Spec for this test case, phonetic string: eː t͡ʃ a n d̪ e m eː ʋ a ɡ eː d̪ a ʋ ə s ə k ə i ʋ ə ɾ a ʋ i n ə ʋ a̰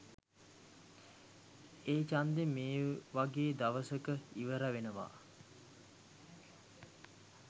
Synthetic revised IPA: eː t͡ʃ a n d̪ e m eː ʋ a ɡ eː d̪ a ʋ ə s ə k ə i ʋ ə ɾ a ʋ e n ə ʋ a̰

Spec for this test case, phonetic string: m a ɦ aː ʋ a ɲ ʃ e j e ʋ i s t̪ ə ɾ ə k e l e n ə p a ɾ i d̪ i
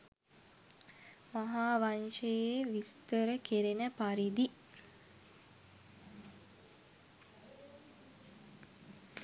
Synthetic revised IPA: m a ɦ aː ʋ a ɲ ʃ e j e ʋ i s t̪ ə ɾ ə k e ɾ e n ə p a ɾ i d̪ i

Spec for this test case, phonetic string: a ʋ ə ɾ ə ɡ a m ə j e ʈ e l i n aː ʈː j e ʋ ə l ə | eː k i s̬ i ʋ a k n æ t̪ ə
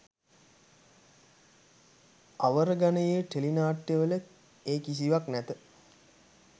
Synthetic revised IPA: a ʋ ə ɾ ə ɡ a n ə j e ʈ e l i n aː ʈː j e ʋ ə l ə | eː k i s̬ i ʋ a k n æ t̪ ə

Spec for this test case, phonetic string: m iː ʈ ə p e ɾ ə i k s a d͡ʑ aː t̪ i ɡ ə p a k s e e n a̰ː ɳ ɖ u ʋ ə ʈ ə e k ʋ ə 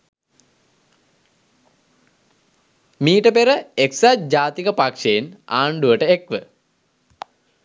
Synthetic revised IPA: m iː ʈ ə p e ɾ ə e k s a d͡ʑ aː t̪ i k ə p a k ʂ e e n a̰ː ɳ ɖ u ʋ ə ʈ ə e k ʋ ə

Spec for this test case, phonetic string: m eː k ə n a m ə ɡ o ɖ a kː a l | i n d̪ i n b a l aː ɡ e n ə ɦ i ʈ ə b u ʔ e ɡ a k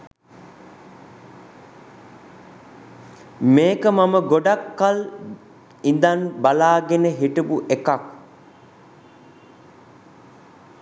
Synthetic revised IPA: m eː k ə m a m ə ɡ o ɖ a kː a l | i n d̪ a n b a l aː ɡ e n ə ɦ i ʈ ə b u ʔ e k a k

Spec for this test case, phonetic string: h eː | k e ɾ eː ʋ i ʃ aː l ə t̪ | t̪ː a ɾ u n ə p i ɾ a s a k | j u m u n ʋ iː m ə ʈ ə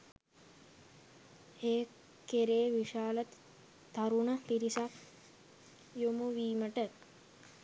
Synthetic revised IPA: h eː | k e ɾ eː ʋ i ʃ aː l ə t̪ | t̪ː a ɾ u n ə p i ɾ i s a k | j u m u ʋ iː m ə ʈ ə

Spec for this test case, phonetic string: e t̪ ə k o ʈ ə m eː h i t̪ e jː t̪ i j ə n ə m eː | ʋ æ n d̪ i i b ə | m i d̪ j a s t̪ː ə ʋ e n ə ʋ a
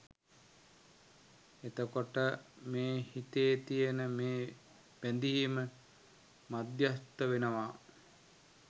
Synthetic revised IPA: e t̪ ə k o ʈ ə m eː h i t̪ e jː t̪ i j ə n ə m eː | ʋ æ n d̪ i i m ə | m a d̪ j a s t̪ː ə ʋ e n ə ʋ a

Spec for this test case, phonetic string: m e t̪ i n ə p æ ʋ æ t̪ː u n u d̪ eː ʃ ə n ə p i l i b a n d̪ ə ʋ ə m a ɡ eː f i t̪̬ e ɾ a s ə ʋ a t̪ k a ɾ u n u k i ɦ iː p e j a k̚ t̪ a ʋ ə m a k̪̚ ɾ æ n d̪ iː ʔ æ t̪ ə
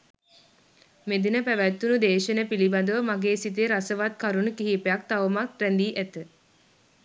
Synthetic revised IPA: m e d̪ i n ə p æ ʋ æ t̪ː u n u d̪ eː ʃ ə n ə p i l i b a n d̪ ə ʋ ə m a ɡ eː s i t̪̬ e ɾ a s ə ʋ a t̪ k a ɾ u n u k i ɦ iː p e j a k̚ t̪ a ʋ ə m a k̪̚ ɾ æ n d̪ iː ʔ æ t̪ ə

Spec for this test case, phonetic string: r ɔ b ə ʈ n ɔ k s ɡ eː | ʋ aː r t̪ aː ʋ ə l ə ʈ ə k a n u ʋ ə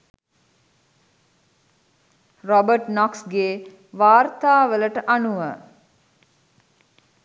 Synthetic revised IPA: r ɔ b ə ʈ n ɔ k s ɡ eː | ʋ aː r t̪ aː ʋ ə l ə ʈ ə ʔ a n u ʋ ə

